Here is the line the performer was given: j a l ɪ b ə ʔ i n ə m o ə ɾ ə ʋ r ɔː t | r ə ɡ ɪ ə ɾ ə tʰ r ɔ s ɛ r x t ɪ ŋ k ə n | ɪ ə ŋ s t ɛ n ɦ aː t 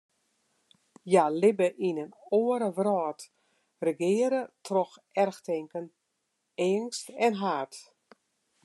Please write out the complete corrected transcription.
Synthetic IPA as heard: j a l ɪ b ə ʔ i n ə n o ə ɾ ə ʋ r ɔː t | r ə ɡ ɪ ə ɾ ə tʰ r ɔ x ɛ r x t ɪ ŋ k ə n | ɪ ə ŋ s t ɛ n ɦ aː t